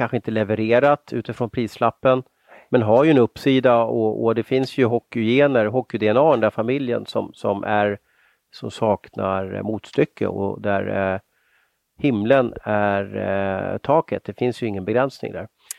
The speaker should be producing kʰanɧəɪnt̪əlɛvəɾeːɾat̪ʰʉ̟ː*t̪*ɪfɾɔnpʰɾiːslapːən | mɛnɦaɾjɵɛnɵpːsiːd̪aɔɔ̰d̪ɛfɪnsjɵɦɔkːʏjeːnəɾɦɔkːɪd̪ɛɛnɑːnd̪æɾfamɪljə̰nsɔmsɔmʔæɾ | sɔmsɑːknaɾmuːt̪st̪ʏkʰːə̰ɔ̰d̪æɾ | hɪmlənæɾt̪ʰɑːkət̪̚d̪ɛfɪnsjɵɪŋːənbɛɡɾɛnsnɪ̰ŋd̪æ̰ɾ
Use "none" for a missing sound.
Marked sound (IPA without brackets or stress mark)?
t̪